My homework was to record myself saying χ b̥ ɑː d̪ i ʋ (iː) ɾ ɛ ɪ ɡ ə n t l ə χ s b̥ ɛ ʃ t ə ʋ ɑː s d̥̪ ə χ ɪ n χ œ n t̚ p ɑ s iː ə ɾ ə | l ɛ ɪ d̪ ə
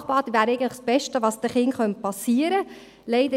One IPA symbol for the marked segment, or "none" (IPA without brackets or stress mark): æː